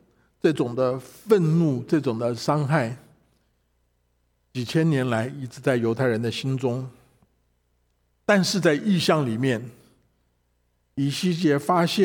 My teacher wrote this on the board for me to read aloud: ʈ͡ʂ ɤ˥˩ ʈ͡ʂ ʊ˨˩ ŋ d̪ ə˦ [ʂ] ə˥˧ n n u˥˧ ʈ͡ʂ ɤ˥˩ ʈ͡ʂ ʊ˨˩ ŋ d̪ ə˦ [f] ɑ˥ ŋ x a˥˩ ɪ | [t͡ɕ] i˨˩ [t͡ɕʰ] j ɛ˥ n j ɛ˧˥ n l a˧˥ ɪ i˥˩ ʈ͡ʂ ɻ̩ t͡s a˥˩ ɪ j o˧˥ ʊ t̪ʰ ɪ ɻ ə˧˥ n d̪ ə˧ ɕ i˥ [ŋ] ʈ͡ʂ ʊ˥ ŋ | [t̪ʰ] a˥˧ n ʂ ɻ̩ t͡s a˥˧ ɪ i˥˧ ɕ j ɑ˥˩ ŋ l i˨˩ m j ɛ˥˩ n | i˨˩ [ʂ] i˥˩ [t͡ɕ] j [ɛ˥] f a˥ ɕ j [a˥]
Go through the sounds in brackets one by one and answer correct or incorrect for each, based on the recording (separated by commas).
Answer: incorrect, incorrect, correct, correct, incorrect, incorrect, incorrect, correct, incorrect, incorrect